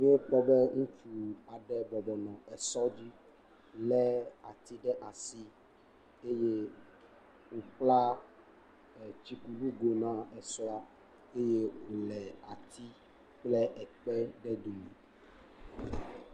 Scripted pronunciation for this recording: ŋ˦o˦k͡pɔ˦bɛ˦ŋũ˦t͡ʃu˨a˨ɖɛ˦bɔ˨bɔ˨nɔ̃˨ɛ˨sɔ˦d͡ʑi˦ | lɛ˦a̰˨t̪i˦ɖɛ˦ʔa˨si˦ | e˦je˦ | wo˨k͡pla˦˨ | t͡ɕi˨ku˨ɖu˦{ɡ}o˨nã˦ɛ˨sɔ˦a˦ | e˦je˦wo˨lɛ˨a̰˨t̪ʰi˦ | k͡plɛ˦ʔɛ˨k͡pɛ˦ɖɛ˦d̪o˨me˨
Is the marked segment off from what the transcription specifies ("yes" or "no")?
no